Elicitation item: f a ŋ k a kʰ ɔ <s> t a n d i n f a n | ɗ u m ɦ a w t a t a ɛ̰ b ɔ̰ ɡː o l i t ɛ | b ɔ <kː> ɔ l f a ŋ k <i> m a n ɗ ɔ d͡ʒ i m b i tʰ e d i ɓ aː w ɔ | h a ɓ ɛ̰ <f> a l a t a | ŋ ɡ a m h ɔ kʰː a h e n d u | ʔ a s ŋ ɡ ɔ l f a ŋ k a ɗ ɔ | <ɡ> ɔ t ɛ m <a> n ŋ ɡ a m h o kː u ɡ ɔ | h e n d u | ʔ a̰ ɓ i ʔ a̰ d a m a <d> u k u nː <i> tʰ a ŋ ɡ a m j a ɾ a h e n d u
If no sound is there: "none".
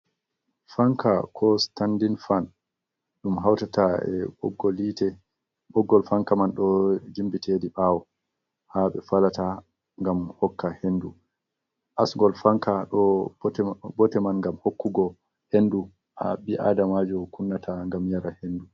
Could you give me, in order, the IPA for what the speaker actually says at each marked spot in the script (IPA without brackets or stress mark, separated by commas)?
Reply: s, ɡː, a, f, b, a, d͡ʒ, a